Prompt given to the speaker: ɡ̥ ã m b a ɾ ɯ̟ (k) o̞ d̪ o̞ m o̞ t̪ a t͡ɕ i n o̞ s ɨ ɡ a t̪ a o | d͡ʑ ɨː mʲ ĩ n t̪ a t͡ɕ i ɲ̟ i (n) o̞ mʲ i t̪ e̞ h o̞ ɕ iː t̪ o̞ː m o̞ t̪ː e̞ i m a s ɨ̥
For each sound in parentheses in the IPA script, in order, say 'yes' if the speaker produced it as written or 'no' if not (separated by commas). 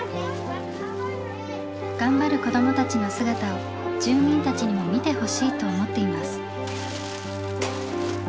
yes, no